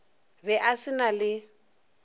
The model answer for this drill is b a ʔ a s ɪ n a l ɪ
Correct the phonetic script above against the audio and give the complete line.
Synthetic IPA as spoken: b ɛ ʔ a s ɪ n a l ɪ

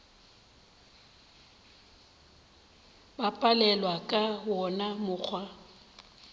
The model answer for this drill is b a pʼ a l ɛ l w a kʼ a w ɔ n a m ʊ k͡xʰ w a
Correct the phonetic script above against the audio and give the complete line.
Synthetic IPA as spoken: b a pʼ a l ɛ l w a kʼ a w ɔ n a m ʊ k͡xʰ w a

